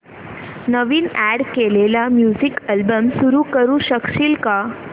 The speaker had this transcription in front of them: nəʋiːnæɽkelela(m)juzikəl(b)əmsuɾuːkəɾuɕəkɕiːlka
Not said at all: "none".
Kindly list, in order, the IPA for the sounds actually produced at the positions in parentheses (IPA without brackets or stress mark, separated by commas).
m, b